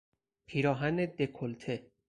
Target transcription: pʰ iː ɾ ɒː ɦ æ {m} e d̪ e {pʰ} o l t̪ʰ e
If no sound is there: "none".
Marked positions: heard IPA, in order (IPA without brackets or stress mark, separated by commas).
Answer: n, kʰ